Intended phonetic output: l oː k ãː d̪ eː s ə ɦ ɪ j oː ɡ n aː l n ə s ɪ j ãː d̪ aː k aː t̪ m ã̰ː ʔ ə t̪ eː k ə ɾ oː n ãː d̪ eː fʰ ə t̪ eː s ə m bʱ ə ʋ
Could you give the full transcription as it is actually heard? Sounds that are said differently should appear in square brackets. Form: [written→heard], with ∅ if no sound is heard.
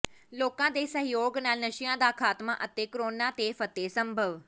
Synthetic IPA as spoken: l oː k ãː d̪ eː s ə ɦ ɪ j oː ɡ n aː l n ə [s→ʃ] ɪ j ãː d̪ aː [k→kʰ] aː t̪ m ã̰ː ʔ ə t̪ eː k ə ɾ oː n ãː [d̪→t̪] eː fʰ ə t̪ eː s ə m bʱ ə ʋ